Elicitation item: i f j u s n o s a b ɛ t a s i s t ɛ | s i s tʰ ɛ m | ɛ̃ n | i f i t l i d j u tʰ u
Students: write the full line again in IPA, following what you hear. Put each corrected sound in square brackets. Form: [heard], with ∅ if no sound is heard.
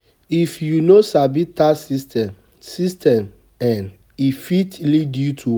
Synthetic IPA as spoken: i f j u [∅] n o s a b [i] t a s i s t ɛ | s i s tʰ ɛ m | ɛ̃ n | i f i t l i d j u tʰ u